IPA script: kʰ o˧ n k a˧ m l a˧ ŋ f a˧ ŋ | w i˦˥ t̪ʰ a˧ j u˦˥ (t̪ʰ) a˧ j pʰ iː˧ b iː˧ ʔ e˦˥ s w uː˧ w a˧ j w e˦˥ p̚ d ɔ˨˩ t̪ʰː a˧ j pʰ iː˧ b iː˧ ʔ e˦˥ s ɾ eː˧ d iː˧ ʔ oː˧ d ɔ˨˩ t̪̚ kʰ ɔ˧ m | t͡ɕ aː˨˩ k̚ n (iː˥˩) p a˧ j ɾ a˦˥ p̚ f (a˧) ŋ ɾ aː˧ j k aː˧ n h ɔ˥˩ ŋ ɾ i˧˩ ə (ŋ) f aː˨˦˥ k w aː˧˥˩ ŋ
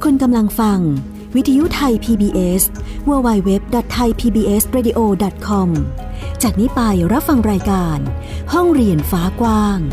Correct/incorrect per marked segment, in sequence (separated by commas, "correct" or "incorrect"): correct, incorrect, correct, incorrect